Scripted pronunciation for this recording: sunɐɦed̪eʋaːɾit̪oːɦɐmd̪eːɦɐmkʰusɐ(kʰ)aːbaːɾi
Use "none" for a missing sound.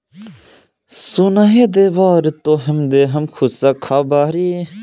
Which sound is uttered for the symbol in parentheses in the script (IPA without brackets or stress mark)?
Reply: kʰ